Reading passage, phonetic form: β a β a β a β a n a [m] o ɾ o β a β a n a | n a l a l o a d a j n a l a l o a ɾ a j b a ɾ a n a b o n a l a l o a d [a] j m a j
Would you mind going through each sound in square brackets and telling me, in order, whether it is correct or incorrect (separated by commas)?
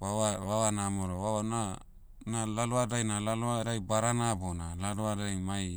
correct, correct